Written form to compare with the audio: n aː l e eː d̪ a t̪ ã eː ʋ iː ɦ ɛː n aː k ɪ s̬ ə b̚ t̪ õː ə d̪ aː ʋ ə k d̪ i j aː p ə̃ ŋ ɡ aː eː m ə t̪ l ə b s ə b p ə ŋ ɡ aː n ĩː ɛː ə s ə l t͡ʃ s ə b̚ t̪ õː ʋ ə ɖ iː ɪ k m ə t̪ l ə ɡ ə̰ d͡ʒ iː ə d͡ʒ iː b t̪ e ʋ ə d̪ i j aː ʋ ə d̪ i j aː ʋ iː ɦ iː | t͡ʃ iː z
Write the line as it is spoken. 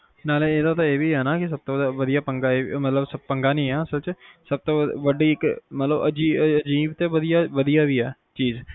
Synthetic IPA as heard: n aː l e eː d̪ a t̪ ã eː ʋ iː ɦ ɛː n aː k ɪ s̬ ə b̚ t̪ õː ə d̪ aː ʋ ə d̪ i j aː p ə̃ ŋ ɡ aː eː m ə t̪ l ə b s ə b p ə ŋ ɡ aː n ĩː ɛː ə s ə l t͡ʃ s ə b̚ t̪ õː ʋ ə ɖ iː ɪ k m ə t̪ l ə b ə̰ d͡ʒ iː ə d͡ʒ iː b t̪ e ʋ ə d̪ i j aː ʋ ə d̪ i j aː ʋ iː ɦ ɛː | t͡ʃ iː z

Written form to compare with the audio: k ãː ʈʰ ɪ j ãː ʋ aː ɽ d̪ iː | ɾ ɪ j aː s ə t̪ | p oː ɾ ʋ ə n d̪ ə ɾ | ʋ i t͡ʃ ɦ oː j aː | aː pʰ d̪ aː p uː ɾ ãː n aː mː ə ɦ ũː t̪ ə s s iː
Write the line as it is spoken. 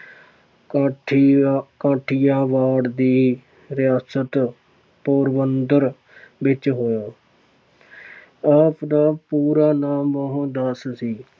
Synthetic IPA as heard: k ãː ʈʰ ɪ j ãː ʋ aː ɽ d̪ iː | ɾ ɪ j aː s ə t̪ | p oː ɾ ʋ ə n d̪ ə ɾ | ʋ ɪ t͡ʃ ɦ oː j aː | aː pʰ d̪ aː p uː ɾ aː n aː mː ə ɦ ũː d̪ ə s s iː

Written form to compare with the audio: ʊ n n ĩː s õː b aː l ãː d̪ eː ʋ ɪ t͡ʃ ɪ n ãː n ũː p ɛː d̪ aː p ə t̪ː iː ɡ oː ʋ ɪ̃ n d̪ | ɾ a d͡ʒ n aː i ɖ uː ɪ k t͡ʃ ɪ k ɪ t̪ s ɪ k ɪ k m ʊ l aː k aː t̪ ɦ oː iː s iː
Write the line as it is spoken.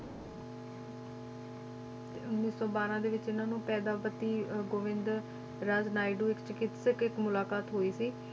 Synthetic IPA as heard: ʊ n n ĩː s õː b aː ɾ ãː d̪ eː ʋ ɪ t͡ʃ ɪ n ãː n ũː p ɛː d̪ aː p ə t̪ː iː ɡ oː ʋ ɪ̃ n d̪ | ɾ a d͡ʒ n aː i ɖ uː ɪ k t͡ʃ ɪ k ɪ t̪ s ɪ k ɪ k m ʊ l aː k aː t̪ ɦ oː iː s iː

